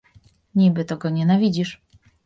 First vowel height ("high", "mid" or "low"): high